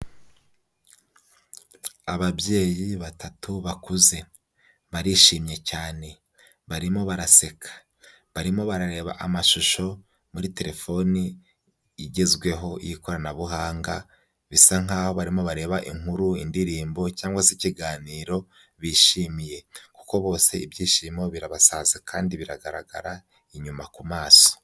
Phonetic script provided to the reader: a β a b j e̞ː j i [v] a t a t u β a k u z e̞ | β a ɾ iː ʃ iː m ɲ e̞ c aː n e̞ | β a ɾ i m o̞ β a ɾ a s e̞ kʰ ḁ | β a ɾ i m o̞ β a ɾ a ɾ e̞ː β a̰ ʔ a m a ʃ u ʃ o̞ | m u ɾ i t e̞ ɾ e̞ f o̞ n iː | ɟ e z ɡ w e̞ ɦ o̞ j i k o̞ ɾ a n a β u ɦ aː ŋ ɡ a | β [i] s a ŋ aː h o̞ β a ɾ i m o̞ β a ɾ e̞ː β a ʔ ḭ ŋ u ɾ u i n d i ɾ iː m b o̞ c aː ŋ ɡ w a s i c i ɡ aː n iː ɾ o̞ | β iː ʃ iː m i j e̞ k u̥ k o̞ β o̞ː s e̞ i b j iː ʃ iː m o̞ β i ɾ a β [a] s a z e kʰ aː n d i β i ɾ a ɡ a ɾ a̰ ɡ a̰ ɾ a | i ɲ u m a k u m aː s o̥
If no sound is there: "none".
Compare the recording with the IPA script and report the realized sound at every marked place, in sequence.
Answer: β, i, a

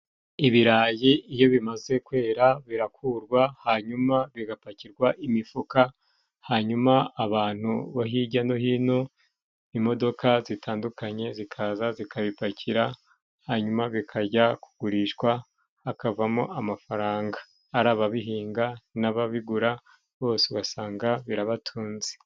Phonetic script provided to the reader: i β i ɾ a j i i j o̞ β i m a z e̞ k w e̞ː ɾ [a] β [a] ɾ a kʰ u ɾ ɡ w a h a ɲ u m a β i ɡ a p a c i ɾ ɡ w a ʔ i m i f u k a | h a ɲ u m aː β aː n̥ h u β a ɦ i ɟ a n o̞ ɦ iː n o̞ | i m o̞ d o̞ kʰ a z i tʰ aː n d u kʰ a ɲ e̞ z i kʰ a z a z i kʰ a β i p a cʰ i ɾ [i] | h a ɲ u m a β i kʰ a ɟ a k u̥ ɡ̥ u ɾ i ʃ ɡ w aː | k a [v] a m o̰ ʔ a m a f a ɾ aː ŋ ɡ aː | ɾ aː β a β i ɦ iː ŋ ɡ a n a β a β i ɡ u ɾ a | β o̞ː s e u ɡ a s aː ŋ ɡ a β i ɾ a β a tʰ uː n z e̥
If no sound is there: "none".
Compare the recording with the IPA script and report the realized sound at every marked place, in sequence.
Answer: a, i, a, v

